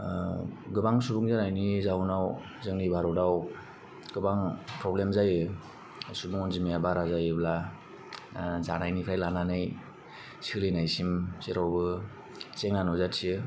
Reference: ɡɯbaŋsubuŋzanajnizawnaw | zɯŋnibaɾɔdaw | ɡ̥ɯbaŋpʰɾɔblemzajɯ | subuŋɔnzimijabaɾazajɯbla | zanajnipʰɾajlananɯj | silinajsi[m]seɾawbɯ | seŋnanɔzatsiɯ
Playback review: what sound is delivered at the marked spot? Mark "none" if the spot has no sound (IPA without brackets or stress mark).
m